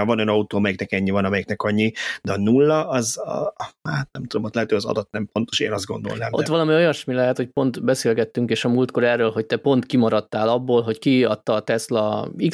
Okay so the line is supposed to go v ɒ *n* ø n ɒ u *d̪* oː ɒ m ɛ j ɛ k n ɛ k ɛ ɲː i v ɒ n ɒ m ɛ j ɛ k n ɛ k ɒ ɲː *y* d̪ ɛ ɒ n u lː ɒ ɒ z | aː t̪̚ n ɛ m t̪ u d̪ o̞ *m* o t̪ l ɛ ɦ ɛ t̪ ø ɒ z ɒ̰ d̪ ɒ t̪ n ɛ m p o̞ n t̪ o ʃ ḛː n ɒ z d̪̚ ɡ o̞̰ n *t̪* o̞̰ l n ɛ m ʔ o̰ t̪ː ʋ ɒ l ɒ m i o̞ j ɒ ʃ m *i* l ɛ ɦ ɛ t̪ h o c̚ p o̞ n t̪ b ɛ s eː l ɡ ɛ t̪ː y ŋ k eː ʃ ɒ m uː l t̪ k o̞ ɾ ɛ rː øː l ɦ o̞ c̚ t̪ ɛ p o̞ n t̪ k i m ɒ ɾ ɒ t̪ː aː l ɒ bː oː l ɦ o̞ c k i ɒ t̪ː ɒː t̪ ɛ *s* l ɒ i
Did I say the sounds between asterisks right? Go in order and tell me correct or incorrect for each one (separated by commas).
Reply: correct, incorrect, incorrect, correct, incorrect, correct, correct